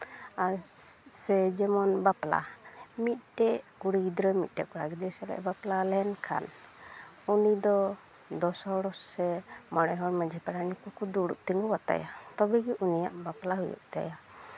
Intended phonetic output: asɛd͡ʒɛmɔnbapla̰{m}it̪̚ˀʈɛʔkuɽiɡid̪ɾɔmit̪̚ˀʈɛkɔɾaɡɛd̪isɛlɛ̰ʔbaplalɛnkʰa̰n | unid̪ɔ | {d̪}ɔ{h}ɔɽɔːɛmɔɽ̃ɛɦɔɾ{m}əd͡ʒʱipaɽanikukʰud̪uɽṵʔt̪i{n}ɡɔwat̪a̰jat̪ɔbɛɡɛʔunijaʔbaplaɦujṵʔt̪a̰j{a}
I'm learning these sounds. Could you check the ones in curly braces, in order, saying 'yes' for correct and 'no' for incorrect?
yes, yes, no, yes, no, yes

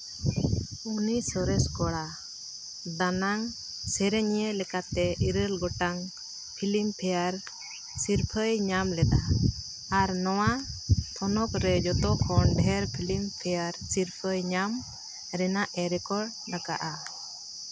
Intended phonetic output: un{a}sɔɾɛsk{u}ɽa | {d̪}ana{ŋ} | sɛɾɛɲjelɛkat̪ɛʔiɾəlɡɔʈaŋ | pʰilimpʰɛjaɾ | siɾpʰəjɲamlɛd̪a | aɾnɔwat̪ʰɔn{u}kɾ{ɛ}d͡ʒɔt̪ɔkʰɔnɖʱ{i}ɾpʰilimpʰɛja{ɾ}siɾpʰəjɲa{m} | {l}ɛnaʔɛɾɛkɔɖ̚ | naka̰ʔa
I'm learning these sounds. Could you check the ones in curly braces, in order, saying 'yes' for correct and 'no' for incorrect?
no, no, yes, yes, no, yes, no, yes, yes, no

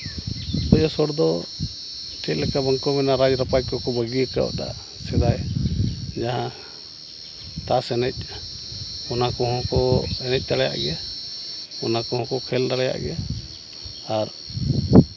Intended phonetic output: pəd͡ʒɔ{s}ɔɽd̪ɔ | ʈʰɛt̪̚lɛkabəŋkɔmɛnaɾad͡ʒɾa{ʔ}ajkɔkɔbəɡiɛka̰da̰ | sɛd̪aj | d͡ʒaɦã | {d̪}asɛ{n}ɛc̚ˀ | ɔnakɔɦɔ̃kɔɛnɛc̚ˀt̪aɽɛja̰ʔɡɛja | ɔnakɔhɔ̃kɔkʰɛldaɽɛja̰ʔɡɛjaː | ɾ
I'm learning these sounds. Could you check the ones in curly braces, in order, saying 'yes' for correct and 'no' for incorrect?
yes, no, no, yes

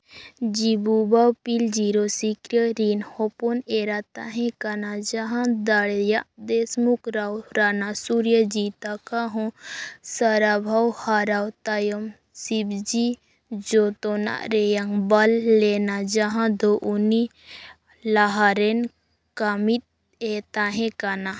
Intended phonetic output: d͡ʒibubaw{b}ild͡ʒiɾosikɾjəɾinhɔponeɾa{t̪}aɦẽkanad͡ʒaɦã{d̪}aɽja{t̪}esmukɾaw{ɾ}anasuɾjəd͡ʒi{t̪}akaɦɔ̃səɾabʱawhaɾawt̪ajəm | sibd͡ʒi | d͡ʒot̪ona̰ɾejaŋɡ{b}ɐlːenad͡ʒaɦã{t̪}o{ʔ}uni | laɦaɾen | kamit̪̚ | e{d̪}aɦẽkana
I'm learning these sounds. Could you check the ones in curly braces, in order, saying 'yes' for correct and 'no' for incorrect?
no, yes, yes, no, yes, yes, yes, no, yes, no

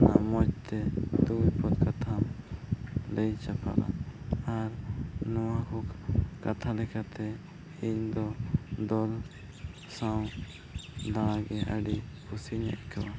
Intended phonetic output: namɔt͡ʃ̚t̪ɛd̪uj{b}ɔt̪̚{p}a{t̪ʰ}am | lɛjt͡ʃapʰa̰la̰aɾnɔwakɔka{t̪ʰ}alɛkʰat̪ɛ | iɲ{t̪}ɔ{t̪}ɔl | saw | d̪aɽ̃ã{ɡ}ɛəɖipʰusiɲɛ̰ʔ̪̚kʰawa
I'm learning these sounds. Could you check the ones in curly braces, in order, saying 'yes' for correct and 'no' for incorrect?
no, no, yes, yes, no, no, yes

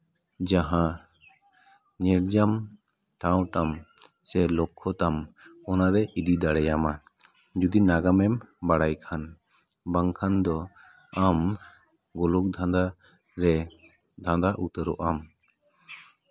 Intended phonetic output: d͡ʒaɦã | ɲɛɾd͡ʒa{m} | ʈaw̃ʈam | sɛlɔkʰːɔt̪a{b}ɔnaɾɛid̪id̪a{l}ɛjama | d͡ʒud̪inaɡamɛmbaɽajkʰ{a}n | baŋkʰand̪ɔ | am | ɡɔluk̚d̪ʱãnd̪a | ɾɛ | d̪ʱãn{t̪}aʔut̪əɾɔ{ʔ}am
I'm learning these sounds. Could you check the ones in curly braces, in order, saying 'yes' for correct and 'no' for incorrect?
yes, no, no, yes, no, yes

